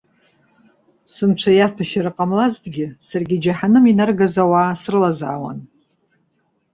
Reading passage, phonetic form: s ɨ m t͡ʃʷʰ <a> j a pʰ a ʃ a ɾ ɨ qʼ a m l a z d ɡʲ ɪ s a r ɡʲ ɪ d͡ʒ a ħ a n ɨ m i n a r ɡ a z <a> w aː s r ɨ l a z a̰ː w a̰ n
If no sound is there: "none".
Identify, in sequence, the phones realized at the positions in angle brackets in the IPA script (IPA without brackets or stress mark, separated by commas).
a, a